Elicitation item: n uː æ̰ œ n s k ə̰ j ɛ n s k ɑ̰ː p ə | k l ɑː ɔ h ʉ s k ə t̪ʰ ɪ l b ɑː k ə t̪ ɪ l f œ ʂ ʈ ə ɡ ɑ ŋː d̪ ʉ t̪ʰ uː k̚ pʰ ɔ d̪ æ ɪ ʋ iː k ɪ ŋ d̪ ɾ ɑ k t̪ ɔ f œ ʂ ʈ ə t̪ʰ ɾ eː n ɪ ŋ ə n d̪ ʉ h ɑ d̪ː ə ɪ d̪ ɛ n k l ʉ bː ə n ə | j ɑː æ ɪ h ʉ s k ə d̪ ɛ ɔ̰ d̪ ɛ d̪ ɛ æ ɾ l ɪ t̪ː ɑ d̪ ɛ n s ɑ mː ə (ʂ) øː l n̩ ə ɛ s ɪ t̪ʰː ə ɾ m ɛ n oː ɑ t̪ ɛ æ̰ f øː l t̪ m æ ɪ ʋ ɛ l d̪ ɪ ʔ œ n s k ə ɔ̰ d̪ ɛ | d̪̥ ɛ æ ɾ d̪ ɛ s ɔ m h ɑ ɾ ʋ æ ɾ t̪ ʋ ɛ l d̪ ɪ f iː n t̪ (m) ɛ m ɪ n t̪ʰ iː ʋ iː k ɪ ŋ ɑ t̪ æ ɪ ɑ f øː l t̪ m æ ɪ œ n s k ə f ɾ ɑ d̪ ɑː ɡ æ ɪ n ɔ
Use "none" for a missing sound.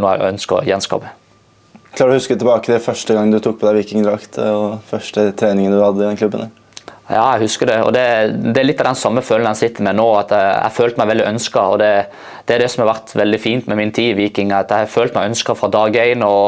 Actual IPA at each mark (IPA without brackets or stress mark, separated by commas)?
f, m